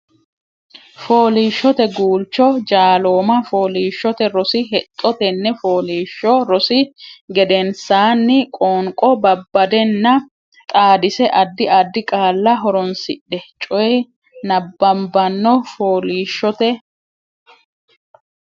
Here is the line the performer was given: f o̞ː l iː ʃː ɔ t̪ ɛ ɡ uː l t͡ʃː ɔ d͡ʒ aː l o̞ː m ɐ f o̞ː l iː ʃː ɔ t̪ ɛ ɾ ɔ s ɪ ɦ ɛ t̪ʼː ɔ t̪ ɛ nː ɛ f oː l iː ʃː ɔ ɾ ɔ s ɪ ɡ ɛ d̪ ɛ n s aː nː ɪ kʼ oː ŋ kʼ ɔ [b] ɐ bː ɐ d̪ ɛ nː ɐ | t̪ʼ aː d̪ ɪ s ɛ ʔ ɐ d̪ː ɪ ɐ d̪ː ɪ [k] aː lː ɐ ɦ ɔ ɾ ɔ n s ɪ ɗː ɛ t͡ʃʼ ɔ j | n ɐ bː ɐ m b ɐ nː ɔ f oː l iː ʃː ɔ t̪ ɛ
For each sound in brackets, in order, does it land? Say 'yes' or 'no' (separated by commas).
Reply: yes, no